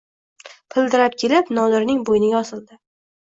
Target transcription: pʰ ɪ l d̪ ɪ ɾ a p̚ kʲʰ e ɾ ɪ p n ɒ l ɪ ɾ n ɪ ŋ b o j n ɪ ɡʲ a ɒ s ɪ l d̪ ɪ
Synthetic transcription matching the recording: pʰ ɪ l d̪ ɪ ɾ a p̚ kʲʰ e l ɪ p n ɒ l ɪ ɾ n ɪ ŋ b o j n ɪ ɡʲ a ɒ s ɪ l d̪ ɪ

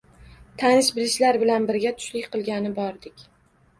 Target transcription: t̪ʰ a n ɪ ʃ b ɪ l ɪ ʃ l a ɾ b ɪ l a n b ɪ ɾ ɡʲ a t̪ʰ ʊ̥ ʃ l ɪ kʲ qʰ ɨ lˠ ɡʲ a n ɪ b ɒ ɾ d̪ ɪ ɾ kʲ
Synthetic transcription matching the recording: t̪ʰ a n ɪ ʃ b ɪ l ɪ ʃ l a ɾ b ɪ l a n b ɪ ɾ ɡʲ a t̪ʰ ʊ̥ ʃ l ɪ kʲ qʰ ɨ lˠ ɡʲ a n ɪ b ɒ ɾ d̪ ɪ kʲ

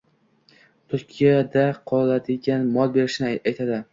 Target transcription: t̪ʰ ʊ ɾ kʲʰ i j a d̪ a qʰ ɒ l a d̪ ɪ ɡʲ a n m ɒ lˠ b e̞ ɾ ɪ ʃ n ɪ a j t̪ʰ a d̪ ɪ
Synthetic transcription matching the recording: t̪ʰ ʊ ɾ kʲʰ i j a d̪ a qʰ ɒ l a d̪ ɪ ɡʲ a n m ɒ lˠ b e̞ ɾ ɪ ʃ n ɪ a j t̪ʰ a d̪ ɪ

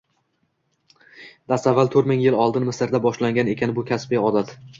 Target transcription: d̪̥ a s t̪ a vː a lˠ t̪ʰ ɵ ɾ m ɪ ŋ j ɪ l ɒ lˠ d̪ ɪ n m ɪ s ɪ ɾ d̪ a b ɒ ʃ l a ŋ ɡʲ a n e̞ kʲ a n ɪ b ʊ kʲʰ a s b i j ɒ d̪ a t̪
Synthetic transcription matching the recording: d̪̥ a s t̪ a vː a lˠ t̪ʰ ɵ ɾ m ɪ ŋ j ɪ l ɒ lˠ d̪ ɪ n m ɪ s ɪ ɾ d̪ a b ɒ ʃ l a ŋ ɡʲ a n e̞ kʲ a n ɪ b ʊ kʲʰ a s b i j ɒ d̪ a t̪

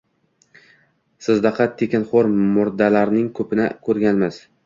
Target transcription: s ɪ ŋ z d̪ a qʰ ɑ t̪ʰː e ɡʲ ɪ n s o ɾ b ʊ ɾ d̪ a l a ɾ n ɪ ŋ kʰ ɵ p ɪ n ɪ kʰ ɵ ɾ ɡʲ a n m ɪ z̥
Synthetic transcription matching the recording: s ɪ z d̪ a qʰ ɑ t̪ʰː e kʲ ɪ n χ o ɾ m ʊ ɾ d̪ a l a ɾ n ɪ ŋ kʰ ɵ p ɪ n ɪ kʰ ɵ ɾ ɡʲ a n m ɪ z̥

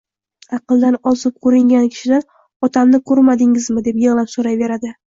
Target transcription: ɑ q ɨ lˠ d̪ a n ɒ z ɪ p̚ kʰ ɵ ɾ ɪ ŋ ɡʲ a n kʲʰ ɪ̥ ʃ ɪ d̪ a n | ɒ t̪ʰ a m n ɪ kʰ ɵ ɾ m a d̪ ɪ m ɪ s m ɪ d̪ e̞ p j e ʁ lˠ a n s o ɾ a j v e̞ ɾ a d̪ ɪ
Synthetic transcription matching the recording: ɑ q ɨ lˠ d̪ a n ɒ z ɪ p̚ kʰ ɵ ɾ ɪ ŋ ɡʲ a n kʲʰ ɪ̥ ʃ ɪ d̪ a n | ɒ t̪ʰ a m n ɪ kʰ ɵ ɾ m a d̪ ɪ ŋ ɪ z m ɪ d̪ e̞ p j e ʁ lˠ a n s o ɾ a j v e̞ ɾ a d̪ ɪ

